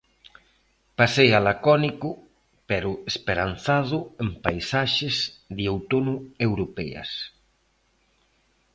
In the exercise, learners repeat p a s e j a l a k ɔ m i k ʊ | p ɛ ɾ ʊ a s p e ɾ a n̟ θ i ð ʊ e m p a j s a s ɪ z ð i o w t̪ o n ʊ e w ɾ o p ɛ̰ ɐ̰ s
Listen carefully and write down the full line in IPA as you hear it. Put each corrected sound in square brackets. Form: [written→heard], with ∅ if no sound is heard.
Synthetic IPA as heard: p a s e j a l a k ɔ [m→n] i k ʊ | p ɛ ɾ ʊ [a→e] s p e ɾ a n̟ θ [i→a] ð ʊ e m p a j s a [s→ʃ] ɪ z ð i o w t̪ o n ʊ e w ɾ o p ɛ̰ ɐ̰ s

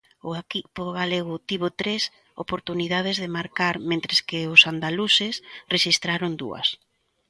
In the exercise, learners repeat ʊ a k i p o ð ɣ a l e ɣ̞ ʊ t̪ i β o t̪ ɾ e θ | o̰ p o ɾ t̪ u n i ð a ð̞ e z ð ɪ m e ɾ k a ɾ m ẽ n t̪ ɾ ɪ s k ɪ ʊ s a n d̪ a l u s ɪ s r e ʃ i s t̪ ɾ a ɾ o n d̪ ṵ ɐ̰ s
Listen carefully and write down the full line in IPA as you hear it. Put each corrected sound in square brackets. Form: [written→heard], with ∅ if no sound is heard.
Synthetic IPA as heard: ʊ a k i p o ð ɣ a l e ɣ̞ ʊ t̪ i β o t̪ ɾ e [θ→s] | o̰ p o ɾ t̪ u n i ð a ð̞ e z ð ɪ m [e→a] ɾ k a ɾ m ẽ n t̪ ɾ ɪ s k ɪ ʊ s a n d̪ a l u s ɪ s r e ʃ i s t̪ ɾ a ɾ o n d̪ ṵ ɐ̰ s

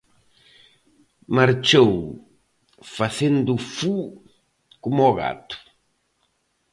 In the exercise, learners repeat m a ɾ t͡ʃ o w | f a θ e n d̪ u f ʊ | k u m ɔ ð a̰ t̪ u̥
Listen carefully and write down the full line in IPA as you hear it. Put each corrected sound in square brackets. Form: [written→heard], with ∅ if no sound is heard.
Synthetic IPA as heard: m a ɾ t͡ʃ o w | f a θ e n d̪ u f [ʊ→u] | k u m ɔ [ð→ɣ] a̰ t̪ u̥

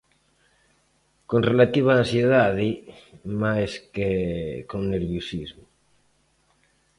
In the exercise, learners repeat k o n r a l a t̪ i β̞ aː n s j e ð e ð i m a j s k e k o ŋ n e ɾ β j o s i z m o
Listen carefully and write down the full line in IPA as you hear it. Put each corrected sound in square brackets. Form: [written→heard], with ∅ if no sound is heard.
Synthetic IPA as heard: k o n r [a→e] l a t̪ i β̞ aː n s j e ð [e→a] ð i m a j s k e k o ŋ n e ɾ β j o s i z m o

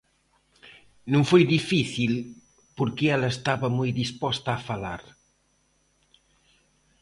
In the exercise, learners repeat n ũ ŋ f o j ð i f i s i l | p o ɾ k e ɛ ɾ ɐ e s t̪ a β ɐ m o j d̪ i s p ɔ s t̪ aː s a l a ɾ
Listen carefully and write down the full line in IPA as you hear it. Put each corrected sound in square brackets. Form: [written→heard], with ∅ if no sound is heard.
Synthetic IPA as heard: n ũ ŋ f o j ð i f i [s→θ] i l | p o ɾ k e ɛ [ɾ→l] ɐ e s t̪ a β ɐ m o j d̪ i s p ɔ s t̪ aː [s→f] a l a ɾ

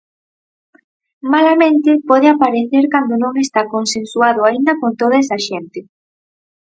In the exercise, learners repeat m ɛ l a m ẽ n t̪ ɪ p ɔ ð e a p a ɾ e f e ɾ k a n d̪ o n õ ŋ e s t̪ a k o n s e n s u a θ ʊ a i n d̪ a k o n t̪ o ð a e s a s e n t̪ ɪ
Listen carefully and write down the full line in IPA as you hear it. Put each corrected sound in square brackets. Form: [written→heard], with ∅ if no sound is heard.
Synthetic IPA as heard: m [ɛ→a] l a m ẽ n t̪ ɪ p ɔ ð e a p a ɾ e [f→θ] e ɾ k a n d̪ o n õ ŋ e s t̪ a k o n s e n s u a [θ→ð] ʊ a i n d̪ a k o n t̪ o ð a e s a [s→ʃ] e n t̪ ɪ

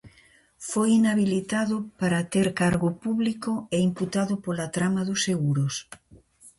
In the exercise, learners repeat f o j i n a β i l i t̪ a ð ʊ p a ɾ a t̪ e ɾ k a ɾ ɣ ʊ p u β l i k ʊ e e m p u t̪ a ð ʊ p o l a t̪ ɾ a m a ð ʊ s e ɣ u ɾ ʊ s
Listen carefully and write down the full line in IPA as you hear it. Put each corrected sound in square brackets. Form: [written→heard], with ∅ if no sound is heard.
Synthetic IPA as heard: f o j i n a β i l i t̪ a ð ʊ p a ɾ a t̪ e ɾ k a ɾ ɣ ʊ p u β l i k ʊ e [e→i] m p u t̪ a ð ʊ p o l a t̪ ɾ a m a ð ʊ s e ɣ u ɾ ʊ s

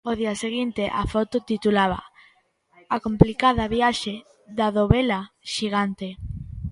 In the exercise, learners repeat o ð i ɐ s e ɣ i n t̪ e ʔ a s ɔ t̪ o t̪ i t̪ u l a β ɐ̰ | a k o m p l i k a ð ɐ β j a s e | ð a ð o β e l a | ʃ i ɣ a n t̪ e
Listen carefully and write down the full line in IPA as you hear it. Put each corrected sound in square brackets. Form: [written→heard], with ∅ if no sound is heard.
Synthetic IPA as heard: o ð i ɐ s e ɣ i n t̪ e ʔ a [s→f] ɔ t̪ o t̪ i t̪ u l a β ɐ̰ | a k o m p l i k a ð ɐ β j a [s→ʃ] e | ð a ð o β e l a | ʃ i ɣ a n t̪ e

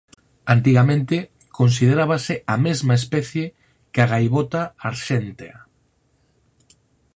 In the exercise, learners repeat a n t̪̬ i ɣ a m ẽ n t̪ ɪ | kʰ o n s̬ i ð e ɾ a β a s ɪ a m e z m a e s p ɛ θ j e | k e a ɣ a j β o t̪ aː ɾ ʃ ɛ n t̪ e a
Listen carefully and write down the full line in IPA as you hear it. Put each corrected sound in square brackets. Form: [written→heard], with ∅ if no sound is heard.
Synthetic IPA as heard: a n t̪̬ i ɣ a m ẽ n t̪ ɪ | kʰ o n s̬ i ð e ɾ a β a s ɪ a m e z m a e s p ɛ θ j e | k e a ɣ a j β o t̪ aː ɾ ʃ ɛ n t̪ e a

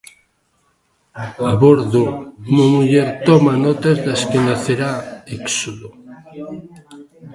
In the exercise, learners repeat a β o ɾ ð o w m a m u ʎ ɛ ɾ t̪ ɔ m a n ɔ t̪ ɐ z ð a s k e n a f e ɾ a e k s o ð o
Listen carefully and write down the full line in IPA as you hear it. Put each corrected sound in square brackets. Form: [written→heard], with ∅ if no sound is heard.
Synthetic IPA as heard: a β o ɾ ð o [w→u] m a m u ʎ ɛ ɾ t̪ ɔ m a n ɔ t̪ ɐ z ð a s k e n a [f→θ] e ɾ a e k s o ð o

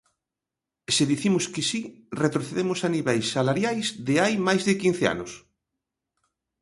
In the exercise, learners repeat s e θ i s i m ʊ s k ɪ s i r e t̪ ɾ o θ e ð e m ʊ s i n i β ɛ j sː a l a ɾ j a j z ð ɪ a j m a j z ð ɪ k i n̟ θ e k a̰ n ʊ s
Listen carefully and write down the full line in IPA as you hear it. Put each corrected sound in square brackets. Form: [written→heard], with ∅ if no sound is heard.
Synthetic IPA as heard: s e [θ→ð] i [s→θ] i m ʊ s k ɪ s i r e t̪ ɾ o θ e ð e m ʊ s [i→a] n i β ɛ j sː a l a ɾ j a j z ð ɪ a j m a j z ð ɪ k i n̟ θ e [k→∅] a̰ n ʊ s

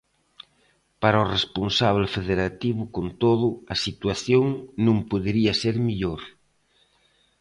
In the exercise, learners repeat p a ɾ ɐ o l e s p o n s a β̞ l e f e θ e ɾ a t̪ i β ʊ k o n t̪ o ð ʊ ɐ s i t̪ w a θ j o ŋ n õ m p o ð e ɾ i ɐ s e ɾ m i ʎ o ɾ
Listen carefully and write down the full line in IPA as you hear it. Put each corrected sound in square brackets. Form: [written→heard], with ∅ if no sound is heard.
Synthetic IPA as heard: p a ɾ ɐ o [l→r] e s p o n s a β̞ l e f e [θ→ð] e ɾ a t̪ i β ʊ k o n t̪ o ð ʊ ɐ s i t̪ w a θ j o ŋ n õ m p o ð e ɾ i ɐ s e ɾ m i ʎ o ɾ

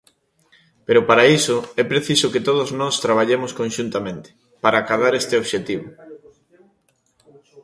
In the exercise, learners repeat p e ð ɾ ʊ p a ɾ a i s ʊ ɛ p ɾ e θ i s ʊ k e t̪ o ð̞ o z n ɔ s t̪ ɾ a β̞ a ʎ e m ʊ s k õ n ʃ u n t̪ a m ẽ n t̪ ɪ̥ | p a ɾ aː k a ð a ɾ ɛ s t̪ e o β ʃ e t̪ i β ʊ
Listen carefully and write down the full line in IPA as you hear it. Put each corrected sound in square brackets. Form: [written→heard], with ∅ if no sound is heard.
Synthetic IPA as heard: p e [ð→∅] ɾ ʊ p a ɾ a i s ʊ ɛ p ɾ e θ i s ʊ k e t̪ o ð̞ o z n ɔ s t̪ ɾ a β̞ a ʎ e m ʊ s k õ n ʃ u n t̪ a m ẽ n t̪ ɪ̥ | p a ɾ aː k a ð a ɾ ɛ s t̪ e o β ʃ e t̪ i β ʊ

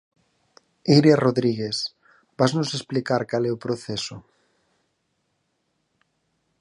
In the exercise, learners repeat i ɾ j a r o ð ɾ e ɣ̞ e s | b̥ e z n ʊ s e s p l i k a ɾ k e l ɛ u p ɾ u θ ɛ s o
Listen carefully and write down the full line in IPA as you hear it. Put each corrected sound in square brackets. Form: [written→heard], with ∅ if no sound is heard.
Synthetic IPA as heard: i ɾ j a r o ð ɾ [e→i] ɣ̞ e s | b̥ [e→a] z n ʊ s e s p l i k a ɾ k [e→a] l ɛ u p ɾ [u→o] θ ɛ s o

